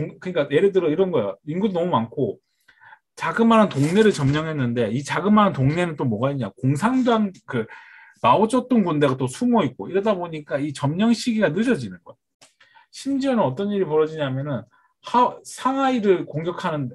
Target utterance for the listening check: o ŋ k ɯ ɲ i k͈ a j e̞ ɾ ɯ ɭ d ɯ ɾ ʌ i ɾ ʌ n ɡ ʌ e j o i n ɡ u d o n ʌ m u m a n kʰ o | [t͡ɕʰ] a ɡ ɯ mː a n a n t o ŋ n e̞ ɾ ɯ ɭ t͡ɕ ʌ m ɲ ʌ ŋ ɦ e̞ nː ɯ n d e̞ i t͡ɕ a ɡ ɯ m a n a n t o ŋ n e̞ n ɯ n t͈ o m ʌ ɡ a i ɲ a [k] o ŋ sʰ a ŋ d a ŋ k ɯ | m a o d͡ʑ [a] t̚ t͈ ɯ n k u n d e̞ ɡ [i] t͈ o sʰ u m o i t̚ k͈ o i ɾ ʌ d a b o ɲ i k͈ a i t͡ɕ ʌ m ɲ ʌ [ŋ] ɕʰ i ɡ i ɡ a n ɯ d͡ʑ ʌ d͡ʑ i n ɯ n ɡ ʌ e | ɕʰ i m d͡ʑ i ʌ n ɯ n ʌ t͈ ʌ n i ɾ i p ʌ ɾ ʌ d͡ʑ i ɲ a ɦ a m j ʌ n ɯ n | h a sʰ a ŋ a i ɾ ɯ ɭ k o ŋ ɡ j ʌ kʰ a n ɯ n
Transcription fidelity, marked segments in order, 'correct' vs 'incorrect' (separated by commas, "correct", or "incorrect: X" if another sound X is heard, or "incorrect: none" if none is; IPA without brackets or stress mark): incorrect: t͡ɕ, correct, incorrect: ʌ, incorrect: a, correct